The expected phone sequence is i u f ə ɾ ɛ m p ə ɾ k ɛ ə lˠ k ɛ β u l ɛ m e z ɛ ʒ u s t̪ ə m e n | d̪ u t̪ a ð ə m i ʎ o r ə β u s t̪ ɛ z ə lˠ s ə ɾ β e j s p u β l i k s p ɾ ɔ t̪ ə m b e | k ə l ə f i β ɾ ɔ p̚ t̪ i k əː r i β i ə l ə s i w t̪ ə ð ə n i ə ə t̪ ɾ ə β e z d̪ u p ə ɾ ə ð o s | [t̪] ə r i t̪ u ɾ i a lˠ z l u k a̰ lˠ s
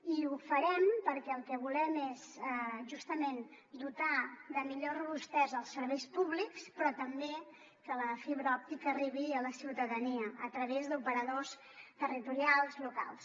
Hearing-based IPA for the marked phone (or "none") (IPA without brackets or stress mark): t̪